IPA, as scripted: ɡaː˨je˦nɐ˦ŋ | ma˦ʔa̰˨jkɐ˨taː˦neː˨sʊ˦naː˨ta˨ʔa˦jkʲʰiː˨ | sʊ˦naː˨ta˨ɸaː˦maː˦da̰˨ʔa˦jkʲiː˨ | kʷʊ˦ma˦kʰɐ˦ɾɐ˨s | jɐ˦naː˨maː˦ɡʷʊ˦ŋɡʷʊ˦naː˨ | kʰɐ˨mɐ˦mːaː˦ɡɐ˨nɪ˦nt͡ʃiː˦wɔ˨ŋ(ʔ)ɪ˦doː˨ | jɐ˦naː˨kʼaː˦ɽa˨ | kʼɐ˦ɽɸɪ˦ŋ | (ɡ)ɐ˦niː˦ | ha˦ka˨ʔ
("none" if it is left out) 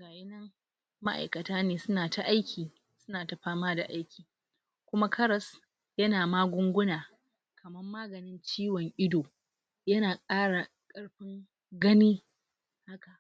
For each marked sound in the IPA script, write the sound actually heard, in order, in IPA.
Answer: ʔ, ɡ

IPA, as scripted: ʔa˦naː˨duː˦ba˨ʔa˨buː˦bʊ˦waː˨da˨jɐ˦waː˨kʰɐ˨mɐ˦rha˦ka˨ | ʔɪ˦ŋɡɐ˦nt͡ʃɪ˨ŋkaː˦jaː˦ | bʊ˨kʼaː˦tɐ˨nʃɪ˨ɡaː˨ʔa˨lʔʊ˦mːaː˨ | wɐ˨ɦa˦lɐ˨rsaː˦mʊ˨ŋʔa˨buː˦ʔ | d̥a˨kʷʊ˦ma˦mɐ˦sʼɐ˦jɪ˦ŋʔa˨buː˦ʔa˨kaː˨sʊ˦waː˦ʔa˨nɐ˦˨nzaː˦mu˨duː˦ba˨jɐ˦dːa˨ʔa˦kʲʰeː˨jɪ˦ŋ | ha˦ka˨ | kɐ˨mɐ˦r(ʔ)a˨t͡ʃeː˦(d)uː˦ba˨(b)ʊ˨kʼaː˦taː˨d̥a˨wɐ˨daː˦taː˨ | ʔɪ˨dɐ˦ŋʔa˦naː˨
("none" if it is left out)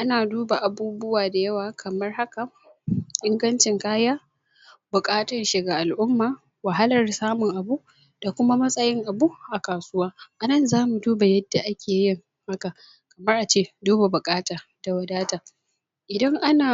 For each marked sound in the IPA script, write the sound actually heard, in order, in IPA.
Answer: ʔ, d, b

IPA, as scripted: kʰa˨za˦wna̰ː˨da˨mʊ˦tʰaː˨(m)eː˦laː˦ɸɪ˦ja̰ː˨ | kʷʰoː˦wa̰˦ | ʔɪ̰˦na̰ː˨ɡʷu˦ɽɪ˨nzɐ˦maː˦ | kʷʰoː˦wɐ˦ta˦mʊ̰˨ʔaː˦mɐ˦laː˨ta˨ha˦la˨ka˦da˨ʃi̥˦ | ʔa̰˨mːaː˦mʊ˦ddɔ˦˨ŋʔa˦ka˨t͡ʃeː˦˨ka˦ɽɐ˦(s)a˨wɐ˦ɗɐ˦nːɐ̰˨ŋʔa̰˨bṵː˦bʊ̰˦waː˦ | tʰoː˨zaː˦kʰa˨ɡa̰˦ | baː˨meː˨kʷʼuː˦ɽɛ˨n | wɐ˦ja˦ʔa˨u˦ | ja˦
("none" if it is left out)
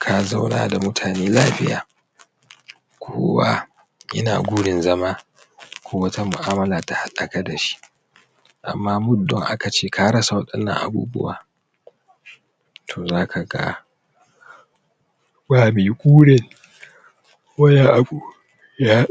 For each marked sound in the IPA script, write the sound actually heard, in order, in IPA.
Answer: n, s

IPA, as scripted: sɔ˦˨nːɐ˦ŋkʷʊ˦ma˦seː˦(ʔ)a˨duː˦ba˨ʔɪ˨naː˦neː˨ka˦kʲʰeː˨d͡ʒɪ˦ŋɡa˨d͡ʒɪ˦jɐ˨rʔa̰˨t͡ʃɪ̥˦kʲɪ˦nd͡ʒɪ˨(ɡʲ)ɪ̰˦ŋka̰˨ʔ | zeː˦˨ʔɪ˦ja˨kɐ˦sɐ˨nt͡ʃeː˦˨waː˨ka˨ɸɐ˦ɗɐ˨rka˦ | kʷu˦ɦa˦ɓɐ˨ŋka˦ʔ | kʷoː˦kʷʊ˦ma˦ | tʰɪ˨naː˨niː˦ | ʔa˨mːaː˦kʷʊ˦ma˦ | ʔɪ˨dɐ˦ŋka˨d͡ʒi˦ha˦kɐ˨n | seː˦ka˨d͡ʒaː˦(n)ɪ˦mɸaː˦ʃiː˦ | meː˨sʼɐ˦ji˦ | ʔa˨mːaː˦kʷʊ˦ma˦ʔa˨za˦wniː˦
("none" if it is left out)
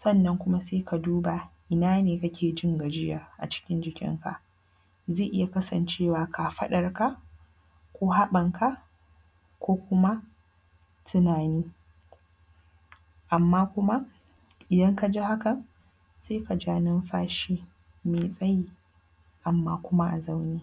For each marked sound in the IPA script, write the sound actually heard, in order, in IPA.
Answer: k, kʲ, n

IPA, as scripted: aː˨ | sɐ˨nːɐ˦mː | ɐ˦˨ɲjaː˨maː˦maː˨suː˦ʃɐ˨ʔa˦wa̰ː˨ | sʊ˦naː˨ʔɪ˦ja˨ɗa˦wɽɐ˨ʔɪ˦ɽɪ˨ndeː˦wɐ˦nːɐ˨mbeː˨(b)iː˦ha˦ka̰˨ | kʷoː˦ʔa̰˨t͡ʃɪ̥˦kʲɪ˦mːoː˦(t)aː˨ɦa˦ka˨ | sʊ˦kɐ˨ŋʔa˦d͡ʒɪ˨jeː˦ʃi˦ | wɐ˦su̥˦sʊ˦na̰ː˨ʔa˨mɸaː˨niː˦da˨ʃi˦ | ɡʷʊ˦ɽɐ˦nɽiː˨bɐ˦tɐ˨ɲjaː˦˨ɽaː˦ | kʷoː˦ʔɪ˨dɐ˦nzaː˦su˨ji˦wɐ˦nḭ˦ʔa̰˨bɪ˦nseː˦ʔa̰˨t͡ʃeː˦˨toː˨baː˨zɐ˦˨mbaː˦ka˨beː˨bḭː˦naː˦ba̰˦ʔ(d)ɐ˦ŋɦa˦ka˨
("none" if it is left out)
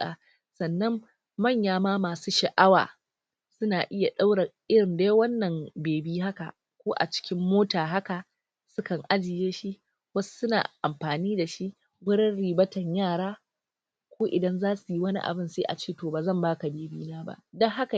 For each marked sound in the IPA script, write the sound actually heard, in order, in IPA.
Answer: b, t, d

